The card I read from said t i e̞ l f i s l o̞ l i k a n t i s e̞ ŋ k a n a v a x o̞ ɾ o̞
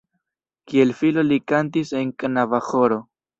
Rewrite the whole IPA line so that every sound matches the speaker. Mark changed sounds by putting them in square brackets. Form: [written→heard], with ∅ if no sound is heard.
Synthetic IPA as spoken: [t→k] i e̞ l f i [s→∅] l o̞ l i k a n t i s e̞ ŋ k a n a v a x o̞ ɾ o̞